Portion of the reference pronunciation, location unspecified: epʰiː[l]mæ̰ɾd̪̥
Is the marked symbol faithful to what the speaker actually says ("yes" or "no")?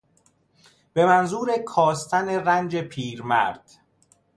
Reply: no